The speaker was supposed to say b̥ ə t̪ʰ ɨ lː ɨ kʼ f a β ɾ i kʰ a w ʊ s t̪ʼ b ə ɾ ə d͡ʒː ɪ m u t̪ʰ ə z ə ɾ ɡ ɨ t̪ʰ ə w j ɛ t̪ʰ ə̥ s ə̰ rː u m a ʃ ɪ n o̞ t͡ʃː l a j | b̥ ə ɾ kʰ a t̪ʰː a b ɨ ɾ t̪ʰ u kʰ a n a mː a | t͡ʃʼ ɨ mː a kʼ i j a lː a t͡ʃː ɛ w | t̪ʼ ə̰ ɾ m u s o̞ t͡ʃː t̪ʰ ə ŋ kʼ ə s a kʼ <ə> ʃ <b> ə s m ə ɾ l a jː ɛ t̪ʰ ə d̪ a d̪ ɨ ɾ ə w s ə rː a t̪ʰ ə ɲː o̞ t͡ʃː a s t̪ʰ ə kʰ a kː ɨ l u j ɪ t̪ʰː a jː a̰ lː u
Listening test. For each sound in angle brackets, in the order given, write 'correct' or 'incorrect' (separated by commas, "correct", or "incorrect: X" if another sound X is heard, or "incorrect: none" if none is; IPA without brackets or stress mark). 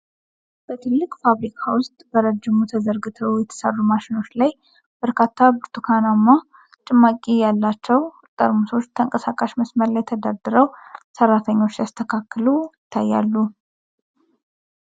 incorrect: a, incorrect: m